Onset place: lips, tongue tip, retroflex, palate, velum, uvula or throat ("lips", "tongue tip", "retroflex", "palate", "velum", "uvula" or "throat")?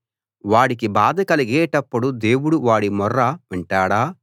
lips